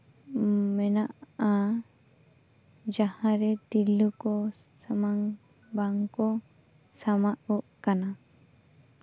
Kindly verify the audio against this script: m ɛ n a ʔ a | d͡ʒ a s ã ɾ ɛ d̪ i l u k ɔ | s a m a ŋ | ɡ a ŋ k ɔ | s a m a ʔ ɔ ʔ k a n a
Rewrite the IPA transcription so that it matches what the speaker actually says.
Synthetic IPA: m ɛ n a ʔ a | d͡ʒ a h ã ɾ ɛ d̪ i l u k ɔ | s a m a ŋ | b a ŋ k ɔ | s a m a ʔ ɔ ʔ k a n a